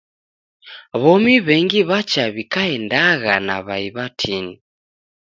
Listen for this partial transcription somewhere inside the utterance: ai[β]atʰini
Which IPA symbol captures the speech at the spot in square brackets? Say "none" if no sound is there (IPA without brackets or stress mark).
β